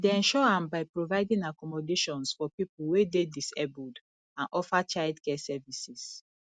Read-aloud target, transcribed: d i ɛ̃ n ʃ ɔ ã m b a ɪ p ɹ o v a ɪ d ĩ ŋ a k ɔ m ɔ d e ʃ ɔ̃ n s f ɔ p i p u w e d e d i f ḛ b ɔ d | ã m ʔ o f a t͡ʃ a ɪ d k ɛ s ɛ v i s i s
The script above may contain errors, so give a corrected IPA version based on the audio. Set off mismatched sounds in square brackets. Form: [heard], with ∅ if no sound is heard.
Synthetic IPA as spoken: d [e] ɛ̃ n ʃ ɔ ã m b a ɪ p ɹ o v a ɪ d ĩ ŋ a k ɔ m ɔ d e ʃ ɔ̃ n s f ɔ p i p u w e d e d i [s] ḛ b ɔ d | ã [n] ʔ [ɔ] f a t͡ʃ a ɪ d k ɛ s ɛ v i s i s